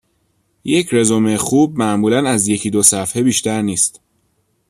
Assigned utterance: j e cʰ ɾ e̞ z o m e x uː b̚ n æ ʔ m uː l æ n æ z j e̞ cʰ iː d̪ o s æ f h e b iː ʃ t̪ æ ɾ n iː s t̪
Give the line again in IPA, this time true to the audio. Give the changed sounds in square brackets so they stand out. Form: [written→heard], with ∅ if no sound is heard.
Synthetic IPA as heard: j e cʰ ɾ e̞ z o m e x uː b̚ [n→m] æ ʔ m uː l æ n æ z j e̞ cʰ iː d̪ o s æ f h e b iː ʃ t̪ æ ɾ n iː s t̪

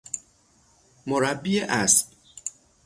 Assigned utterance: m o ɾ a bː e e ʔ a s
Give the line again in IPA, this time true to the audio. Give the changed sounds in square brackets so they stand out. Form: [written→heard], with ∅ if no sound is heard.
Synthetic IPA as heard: m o ɾ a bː [e→i] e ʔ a s

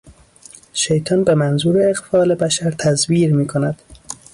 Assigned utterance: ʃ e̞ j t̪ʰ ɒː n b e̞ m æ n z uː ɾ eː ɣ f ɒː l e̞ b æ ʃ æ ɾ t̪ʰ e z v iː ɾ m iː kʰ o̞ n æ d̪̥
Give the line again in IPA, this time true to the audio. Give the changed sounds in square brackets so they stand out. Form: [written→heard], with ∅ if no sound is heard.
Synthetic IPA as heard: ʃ e̞ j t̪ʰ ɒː n b e̞ m æ n z uː ɾ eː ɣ f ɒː l e̞ b æ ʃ æ ɾ t̪ʰ [e→æ] z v iː ɾ m iː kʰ o̞ n æ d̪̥

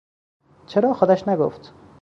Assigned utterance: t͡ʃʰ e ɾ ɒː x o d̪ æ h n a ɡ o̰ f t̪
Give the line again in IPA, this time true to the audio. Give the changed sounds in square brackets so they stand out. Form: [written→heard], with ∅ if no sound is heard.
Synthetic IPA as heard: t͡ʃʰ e ɾ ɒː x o d̪ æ [h→ʃ] n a ɡ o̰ f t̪

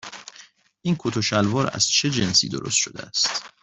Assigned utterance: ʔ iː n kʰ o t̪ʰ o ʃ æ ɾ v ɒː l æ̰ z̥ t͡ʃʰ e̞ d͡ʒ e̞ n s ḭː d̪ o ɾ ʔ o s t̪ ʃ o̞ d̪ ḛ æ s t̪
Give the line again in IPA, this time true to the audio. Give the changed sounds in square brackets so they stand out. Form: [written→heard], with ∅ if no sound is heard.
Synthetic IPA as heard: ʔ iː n kʰ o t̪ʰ o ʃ æ [ɾ→l] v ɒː [l→ɾ] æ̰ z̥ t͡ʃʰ e̞ d͡ʒ e̞ n s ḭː d̪ o ɾ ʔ o s t̪ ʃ o̞ d̪ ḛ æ s t̪

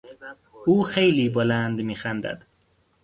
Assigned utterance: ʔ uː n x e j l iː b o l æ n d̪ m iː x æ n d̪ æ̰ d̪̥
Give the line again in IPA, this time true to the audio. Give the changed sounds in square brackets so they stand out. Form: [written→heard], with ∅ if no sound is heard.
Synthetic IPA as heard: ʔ uː [n→∅] x e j l iː b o l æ n d̪ m iː x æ n d̪ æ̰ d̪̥

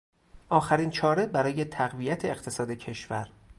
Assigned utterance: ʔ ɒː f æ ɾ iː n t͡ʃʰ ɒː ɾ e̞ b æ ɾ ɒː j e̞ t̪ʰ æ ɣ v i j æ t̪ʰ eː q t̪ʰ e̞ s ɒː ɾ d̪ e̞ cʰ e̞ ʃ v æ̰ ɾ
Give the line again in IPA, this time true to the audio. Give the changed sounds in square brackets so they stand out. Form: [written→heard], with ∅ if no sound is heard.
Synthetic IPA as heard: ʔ ɒː [f→x] æ ɾ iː n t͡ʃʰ ɒː ɾ e̞ b æ ɾ ɒː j e̞ t̪ʰ æ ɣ v i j æ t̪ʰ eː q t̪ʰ e̞ s ɒː [ɾ→∅] d̪ e̞ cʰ e̞ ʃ v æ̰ ɾ

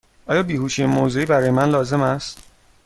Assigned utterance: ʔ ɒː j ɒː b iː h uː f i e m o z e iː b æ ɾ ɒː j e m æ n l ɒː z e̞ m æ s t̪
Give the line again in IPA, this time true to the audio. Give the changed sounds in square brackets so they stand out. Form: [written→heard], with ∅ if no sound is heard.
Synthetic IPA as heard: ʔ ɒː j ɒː b iː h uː [f→ʃ] i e m o z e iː b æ ɾ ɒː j e m æ n l ɒː z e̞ m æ s t̪

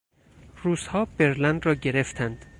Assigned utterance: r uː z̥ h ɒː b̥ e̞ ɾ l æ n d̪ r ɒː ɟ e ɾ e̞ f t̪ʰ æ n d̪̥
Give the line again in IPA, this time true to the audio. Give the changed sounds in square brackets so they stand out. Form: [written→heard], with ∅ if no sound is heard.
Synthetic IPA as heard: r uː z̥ h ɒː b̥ e̞ ɾ l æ n d̪ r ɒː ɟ e ɾ e̞ f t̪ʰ æ n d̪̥

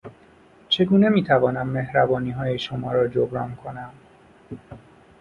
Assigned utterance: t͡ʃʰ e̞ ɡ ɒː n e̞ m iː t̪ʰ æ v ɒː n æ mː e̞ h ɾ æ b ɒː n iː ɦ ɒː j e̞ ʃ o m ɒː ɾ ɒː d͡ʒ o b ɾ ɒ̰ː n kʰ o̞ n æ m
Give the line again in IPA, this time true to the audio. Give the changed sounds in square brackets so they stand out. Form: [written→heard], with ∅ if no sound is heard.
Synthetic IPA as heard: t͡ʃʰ e̞ ɡ [ɒː→uː] n e̞ m iː t̪ʰ æ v ɒː n æ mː e̞ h ɾ æ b ɒː n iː ɦ ɒː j e̞ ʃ o m ɒː ɾ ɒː d͡ʒ o b ɾ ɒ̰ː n kʰ o̞ n æ m

